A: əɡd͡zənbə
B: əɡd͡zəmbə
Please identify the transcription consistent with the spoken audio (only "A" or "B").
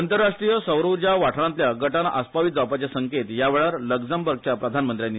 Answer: B